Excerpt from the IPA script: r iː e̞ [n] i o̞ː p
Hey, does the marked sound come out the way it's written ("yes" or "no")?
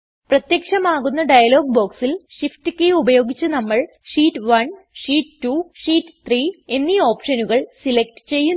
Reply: no